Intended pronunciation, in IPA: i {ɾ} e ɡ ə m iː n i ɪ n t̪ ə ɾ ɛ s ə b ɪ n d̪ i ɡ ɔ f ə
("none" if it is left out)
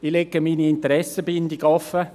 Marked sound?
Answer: l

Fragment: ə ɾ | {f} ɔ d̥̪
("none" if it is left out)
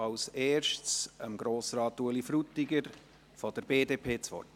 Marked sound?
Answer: f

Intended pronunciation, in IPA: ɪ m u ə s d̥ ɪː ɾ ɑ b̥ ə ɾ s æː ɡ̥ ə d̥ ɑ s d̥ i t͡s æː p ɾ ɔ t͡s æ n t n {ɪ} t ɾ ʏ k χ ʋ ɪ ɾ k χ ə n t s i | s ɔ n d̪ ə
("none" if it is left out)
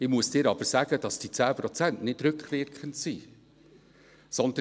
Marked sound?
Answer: ɪ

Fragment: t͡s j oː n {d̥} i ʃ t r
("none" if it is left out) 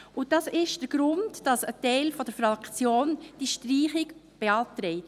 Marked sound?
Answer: d̥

